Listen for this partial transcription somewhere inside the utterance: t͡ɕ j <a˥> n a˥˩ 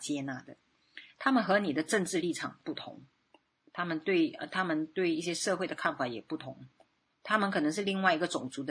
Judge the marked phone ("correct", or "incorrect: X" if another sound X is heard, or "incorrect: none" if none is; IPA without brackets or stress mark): incorrect: ɛ˥